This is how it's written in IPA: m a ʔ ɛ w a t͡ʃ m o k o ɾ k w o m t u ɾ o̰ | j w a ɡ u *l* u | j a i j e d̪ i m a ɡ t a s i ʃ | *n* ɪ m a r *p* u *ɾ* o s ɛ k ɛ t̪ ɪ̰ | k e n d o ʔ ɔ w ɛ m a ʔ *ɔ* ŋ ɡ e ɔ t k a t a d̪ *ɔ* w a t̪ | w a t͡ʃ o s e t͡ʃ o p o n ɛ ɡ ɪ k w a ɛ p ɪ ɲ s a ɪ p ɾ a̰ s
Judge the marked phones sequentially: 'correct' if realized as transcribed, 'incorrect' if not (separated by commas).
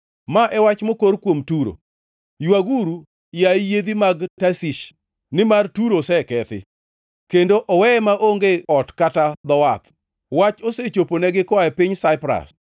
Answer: incorrect, correct, incorrect, correct, incorrect, correct